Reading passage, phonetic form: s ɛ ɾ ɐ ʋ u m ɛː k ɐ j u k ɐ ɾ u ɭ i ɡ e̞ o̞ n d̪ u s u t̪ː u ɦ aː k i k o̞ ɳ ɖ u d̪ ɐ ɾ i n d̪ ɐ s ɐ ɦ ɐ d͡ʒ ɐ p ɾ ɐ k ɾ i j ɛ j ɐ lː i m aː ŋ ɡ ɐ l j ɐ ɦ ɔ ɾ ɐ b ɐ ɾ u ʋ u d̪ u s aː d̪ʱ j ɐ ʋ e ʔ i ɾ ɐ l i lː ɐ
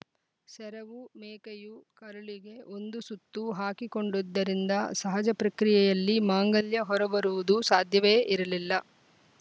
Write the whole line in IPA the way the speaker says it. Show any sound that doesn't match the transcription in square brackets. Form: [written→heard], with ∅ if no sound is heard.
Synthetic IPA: s ɛ ɾ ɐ ʋ u m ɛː k ɐ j u k ɐ ɾ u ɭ i ɡ e̞ o̞ n d̪ u s u t̪ː u ɦ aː k i k o̞ ɳ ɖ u [d̪→d̪ː] ɐ ɾ i n d̪ ɐ s ɐ ɦ ɐ d͡ʒ ɐ p ɾ ɐ k ɾ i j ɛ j ɐ lː i m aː ŋ ɡ ɐ l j ɐ ɦ ɔ ɾ ɐ b ɐ ɾ u ʋ u d̪ u s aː d̪ʱ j ɐ ʋ e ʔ i ɾ ɐ l i lː ɐ